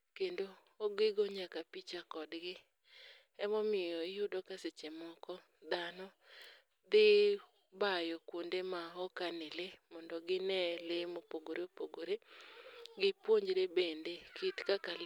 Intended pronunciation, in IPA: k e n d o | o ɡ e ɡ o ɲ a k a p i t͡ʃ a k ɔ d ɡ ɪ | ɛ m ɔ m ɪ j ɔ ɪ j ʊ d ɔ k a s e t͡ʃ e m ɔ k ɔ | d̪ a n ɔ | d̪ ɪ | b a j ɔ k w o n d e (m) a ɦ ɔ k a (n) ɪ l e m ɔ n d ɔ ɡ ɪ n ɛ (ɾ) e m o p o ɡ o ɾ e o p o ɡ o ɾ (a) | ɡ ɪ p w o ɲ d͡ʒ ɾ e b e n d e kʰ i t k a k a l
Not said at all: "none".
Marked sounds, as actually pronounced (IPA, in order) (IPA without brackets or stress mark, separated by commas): m, n, l, e